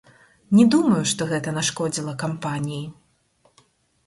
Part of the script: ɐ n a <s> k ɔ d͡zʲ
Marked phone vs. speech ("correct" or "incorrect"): incorrect